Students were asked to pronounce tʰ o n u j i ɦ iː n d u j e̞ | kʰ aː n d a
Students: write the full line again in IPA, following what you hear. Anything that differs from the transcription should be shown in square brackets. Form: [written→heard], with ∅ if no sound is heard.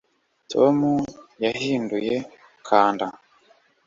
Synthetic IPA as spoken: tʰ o [n→m] u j [i→a] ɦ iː n d u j e̞ | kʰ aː n d a